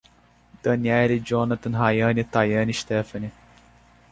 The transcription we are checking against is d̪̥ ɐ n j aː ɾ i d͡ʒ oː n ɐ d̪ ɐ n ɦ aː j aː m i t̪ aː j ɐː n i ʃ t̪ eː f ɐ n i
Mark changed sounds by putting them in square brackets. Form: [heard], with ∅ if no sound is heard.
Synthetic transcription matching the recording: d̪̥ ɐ n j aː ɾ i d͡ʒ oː n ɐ [t̪] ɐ n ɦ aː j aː [n] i t̪ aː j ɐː n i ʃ t̪ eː f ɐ n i